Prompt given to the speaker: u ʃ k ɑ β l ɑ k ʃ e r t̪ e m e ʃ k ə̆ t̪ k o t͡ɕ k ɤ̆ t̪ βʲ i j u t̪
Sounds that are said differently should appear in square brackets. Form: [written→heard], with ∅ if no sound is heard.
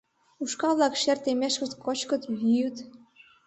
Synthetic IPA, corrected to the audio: u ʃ k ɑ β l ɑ k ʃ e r t̪ e m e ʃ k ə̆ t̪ k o t͡ɕ k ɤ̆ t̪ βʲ i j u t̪